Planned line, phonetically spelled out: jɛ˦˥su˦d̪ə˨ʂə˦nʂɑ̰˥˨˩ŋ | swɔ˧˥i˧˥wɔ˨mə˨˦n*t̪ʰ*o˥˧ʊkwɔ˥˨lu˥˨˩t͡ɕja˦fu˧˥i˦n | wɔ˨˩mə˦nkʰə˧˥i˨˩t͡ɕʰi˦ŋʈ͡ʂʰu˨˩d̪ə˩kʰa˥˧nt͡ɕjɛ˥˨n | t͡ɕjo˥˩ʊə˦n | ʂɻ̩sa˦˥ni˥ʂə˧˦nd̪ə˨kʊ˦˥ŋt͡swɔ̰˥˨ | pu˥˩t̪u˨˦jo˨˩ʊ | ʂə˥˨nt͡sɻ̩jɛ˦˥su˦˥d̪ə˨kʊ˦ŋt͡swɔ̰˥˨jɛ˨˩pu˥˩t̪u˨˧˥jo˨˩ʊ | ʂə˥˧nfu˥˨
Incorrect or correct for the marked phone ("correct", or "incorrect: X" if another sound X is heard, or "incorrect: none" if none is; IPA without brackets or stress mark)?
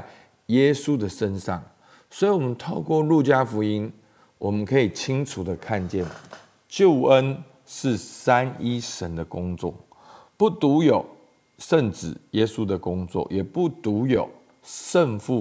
correct